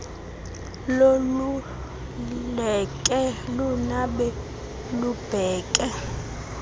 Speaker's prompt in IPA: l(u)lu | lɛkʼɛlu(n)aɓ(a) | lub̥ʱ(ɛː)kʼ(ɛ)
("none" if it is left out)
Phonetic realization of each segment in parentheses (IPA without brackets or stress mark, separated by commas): o, n, ɛ, ɛː, ɛ